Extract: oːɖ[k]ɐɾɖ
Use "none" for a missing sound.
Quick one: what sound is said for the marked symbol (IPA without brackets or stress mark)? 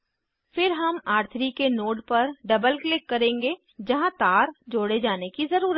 p